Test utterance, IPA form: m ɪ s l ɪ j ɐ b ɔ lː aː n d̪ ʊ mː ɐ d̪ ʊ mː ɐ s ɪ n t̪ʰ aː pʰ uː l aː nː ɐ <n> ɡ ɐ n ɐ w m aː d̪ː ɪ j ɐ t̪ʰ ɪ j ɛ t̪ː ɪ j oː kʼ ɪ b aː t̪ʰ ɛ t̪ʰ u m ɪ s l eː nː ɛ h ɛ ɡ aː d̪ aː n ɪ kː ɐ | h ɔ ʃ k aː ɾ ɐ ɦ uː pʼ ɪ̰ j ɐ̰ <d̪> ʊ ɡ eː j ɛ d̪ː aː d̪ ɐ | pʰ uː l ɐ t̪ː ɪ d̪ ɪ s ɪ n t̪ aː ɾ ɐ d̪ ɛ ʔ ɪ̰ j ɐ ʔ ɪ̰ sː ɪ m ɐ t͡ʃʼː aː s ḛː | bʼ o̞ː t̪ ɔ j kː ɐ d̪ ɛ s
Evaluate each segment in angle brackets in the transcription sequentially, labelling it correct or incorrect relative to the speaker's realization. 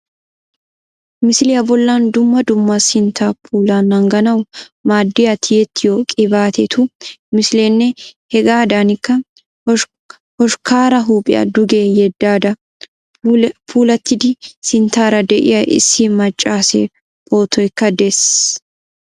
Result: incorrect: ŋ, correct

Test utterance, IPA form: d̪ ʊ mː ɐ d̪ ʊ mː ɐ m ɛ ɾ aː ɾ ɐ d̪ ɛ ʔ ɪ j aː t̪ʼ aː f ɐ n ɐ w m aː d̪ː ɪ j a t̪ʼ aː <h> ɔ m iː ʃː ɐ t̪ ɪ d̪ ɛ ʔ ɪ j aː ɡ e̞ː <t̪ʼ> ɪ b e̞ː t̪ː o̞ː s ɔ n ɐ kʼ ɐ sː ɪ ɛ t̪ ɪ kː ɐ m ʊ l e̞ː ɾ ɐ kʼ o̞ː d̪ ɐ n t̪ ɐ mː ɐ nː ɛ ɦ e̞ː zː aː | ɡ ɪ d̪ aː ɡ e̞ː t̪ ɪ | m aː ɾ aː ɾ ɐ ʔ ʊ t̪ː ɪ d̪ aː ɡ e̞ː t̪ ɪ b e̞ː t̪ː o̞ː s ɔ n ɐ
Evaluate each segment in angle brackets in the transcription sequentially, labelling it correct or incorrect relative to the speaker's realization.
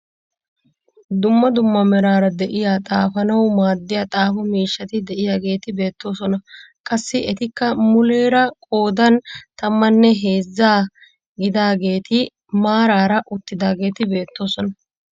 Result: incorrect: f, incorrect: t̪

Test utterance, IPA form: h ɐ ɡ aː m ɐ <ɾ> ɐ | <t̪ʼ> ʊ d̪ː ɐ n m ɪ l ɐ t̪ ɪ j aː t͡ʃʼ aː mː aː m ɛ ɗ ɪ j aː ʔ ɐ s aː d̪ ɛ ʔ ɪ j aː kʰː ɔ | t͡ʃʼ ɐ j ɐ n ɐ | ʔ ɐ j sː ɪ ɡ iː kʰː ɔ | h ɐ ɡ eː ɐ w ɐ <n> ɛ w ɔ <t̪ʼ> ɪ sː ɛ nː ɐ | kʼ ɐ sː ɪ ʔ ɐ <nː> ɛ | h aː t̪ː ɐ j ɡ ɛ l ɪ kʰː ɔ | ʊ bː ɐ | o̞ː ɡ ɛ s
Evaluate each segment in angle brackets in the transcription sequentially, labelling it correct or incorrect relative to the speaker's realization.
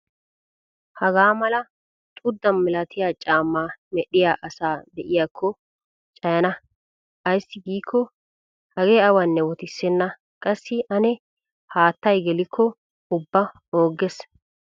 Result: incorrect: l, correct, incorrect: nː, incorrect: t̪, incorrect: n

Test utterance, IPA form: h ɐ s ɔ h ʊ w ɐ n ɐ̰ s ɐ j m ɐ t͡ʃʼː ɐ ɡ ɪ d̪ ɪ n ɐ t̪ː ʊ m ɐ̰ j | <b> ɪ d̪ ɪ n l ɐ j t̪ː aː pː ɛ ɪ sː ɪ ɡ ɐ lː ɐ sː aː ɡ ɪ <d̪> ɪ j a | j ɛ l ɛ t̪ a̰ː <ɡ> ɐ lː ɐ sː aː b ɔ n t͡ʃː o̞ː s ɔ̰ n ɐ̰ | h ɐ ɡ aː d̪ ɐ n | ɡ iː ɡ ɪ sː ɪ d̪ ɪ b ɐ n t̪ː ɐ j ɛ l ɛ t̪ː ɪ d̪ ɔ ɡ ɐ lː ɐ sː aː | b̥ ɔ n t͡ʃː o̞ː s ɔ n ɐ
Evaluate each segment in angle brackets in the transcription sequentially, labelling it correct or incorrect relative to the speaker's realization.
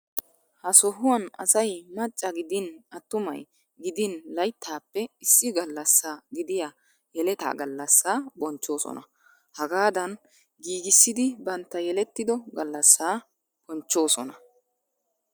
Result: incorrect: ɡ, correct, correct

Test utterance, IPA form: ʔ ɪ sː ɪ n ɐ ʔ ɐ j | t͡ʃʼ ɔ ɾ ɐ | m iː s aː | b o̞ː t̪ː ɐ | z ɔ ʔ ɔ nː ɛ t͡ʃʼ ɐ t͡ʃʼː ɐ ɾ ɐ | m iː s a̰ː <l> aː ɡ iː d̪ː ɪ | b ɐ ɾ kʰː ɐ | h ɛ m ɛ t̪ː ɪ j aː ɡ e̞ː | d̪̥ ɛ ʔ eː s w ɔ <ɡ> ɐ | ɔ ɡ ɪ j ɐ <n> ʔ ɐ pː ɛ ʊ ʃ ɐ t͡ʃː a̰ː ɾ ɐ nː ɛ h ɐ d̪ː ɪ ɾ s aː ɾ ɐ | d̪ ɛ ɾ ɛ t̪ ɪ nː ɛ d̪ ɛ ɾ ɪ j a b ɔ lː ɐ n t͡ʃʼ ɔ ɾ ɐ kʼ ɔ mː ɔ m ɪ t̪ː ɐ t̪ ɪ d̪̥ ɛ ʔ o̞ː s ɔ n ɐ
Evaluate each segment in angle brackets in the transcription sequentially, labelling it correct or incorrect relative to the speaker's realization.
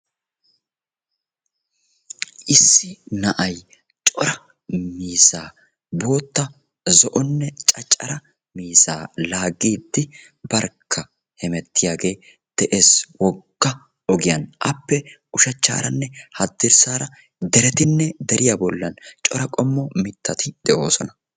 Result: correct, incorrect: ɡː, correct

